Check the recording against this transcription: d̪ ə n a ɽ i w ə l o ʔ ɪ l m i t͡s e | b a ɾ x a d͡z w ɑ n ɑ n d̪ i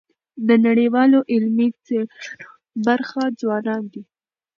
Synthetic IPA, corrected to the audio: d̪ ə n a ɽ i w ɑ l o ʔ ɪ l m i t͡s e | b a ɾ x a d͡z w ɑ n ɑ n d̪ i

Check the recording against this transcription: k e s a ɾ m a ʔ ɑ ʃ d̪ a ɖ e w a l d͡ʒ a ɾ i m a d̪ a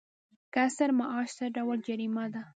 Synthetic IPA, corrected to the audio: k a s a ɾ m a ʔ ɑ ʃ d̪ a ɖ a w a l d͡ʒ a ɾ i m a d̪ a

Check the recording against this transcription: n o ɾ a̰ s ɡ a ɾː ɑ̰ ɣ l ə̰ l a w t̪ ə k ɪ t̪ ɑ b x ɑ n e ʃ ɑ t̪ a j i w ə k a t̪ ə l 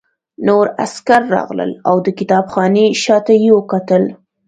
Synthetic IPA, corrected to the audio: n o ɾ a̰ s k a ɾː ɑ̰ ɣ l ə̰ l a w d̪ ə k ɪ t̪ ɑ b x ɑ n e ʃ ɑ t̪ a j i w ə k a t̪ ə l

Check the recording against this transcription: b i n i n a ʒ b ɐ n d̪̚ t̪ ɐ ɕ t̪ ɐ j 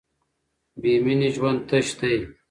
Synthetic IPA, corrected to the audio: b i m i n i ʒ w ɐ n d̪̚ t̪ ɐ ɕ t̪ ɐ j

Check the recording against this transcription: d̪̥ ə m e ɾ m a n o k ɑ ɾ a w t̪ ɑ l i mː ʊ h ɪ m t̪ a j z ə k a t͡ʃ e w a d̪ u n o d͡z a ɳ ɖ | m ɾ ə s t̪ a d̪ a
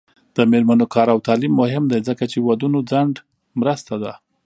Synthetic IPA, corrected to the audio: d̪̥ ə m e ɾ m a n o k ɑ ɾ a w t̪ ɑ l i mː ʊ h ɪ m d̪ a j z ə k a t͡ʃ e w a d̪ u n o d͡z a ɳ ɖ | m ɾ ə s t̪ a d̪ a

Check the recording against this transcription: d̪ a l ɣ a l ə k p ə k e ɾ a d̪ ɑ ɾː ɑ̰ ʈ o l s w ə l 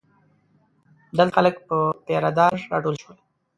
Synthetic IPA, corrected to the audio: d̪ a l x a l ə k p ə p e ɾ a d̪ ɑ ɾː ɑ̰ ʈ o l ʃ w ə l

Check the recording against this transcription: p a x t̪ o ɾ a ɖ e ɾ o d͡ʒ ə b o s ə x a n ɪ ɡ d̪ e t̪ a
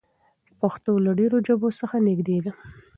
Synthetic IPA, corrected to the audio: p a x t̪ o l a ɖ e ɾ o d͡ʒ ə b o s ə x a n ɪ ɡ d̪ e d̪ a

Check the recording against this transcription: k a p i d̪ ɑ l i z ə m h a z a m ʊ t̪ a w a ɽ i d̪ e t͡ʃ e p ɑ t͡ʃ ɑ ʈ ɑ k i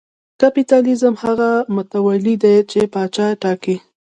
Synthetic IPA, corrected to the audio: k a p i t̪ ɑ l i z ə m h a ɣ a m ʊ t̪ a w a l i d̪ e t͡ʃ e p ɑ t͡ʃ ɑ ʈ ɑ k i

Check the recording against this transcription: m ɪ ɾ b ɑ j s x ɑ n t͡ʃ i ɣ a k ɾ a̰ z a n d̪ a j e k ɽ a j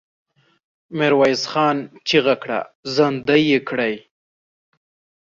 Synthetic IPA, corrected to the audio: m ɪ ɾ w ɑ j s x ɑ n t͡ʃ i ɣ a k ɽ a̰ z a n d̪ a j e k ɽ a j

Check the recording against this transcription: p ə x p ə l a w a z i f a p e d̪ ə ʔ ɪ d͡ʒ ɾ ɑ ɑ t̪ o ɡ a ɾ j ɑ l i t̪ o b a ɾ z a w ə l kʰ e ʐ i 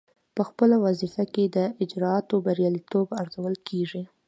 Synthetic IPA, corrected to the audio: p ə x p ə l a w a z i f a k e d̪ ə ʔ ɪ d͡ʒ ɾ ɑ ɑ t̪ o b a ɾ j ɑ l i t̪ o b a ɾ z a w ə l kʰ e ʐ i

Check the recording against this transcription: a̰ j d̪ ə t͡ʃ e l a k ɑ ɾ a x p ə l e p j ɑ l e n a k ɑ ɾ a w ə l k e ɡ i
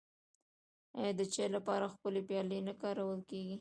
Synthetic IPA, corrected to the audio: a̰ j d̪ ə t͡ʃ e l a p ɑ ɾ a x p ə l e p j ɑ l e n a k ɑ ɾ a w ə l k e ɡ i

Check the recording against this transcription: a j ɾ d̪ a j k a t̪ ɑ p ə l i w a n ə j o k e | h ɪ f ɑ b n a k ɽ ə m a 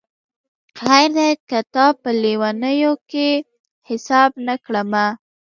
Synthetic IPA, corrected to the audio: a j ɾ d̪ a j k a t̪ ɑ p ə l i w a n ə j o k e | h ɪ s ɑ b n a k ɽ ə m a

